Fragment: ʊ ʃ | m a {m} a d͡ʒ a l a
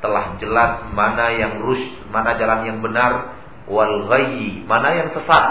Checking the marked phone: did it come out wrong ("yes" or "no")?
yes